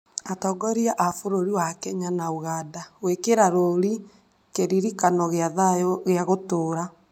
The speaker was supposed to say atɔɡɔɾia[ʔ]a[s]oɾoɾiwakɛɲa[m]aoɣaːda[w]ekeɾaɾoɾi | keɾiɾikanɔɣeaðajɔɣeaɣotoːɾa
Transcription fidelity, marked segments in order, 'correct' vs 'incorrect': correct, incorrect, incorrect, correct

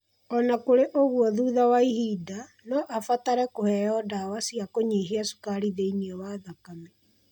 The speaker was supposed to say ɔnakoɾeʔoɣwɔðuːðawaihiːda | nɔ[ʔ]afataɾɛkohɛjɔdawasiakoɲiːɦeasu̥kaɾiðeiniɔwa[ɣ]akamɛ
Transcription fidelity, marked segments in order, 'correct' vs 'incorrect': correct, incorrect

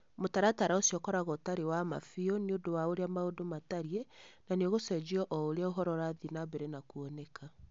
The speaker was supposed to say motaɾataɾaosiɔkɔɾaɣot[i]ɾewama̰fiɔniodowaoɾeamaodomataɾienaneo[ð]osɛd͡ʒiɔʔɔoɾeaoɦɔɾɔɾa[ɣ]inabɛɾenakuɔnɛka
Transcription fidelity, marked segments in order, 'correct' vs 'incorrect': incorrect, incorrect, incorrect

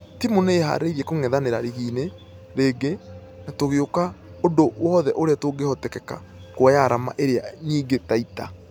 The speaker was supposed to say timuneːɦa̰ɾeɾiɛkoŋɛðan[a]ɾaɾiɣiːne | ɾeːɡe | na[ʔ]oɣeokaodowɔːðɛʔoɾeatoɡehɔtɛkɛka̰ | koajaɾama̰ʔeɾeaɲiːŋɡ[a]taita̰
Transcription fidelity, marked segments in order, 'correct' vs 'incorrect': incorrect, incorrect, incorrect

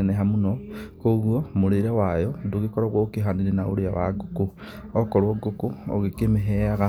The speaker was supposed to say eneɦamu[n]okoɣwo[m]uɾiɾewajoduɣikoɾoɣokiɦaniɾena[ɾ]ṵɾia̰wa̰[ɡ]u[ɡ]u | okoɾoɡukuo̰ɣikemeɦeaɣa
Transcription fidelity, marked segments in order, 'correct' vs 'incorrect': correct, correct, incorrect, correct, incorrect

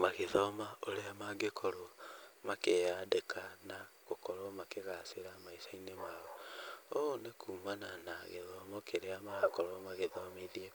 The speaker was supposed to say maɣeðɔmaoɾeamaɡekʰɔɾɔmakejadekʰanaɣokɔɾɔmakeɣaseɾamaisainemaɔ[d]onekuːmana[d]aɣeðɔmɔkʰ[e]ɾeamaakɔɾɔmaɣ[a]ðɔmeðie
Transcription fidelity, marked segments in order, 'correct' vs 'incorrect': incorrect, incorrect, correct, incorrect

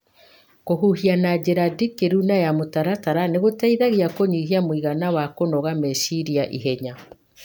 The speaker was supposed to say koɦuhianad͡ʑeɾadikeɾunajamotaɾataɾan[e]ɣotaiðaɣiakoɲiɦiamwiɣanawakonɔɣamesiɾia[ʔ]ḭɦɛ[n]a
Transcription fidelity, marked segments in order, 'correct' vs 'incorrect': correct, correct, incorrect

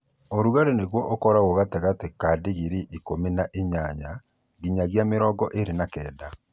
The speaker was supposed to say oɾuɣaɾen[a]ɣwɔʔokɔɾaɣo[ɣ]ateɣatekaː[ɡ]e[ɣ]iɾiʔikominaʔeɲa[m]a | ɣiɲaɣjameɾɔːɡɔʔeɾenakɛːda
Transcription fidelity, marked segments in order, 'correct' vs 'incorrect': incorrect, correct, incorrect, correct, incorrect

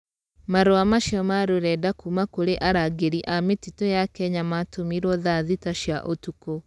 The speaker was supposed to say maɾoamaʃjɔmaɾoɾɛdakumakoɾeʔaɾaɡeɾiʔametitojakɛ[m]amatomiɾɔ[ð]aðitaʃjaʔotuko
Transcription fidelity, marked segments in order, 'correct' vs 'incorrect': incorrect, correct

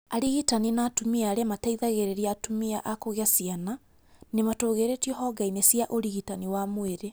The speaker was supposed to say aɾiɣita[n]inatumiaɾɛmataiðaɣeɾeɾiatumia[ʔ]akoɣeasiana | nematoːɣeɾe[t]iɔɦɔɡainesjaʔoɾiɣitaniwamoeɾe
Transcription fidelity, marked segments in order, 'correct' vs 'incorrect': correct, correct, correct

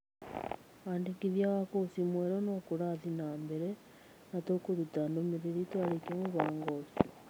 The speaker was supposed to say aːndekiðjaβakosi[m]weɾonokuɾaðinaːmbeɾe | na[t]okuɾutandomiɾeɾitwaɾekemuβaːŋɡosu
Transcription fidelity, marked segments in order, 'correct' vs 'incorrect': correct, correct

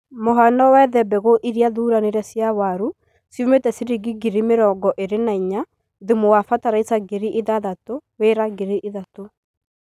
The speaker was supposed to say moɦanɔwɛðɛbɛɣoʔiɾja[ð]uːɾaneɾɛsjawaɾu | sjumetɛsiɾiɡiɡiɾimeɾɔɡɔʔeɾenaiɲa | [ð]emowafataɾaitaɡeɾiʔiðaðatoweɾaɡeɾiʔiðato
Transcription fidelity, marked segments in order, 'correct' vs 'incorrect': correct, correct

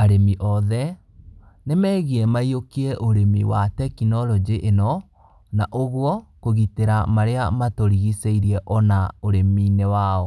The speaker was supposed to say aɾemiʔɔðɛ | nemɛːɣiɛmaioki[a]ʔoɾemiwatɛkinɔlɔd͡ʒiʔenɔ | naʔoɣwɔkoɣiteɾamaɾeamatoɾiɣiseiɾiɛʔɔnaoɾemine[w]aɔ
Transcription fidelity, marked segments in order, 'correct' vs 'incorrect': incorrect, correct

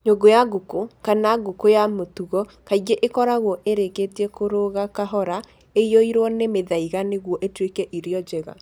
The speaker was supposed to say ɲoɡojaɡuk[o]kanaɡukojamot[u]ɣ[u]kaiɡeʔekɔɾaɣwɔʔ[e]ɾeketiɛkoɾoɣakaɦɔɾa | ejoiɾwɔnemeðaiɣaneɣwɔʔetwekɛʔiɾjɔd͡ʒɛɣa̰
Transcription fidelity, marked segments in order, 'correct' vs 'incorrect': correct, correct, incorrect, correct

